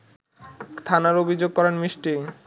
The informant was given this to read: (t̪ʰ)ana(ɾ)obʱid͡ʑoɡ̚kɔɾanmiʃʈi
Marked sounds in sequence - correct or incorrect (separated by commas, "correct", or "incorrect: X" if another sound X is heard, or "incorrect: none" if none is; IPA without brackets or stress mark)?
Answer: correct, correct